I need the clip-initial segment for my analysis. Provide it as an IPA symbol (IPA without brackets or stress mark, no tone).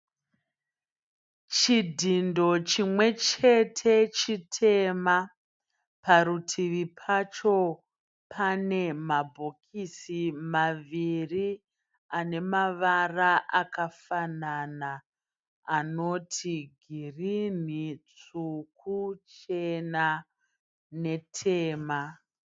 t͡ʃ